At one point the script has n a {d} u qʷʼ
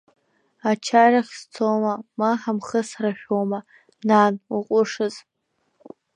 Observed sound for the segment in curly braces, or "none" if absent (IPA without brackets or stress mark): n